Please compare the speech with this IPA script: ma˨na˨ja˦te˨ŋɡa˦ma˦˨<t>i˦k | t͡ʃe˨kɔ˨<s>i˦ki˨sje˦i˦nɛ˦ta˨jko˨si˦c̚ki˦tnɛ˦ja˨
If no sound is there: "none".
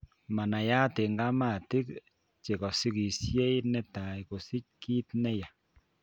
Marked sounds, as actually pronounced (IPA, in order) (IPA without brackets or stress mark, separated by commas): t, s